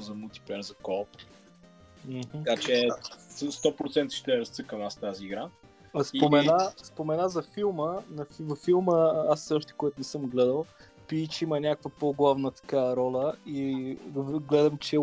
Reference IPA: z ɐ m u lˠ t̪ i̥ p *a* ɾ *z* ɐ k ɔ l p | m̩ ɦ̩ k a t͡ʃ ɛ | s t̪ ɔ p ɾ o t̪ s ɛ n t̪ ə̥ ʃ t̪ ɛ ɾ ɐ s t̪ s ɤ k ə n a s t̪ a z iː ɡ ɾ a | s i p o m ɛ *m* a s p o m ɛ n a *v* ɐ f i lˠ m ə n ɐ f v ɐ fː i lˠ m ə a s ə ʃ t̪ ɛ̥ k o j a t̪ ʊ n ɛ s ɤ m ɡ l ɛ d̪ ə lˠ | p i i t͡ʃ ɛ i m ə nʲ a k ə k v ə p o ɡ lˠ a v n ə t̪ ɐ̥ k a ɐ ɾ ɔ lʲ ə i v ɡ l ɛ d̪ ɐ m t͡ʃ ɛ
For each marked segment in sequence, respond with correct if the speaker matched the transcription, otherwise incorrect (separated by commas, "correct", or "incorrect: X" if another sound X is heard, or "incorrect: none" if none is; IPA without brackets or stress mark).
incorrect: ɛ, correct, incorrect: n, incorrect: z